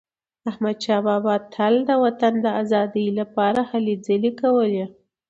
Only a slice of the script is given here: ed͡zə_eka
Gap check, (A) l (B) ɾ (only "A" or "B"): A